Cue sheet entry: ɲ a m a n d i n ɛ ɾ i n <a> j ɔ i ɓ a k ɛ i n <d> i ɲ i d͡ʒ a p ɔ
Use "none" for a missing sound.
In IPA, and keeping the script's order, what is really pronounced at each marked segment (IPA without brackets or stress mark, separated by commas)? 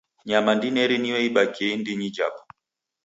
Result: i, d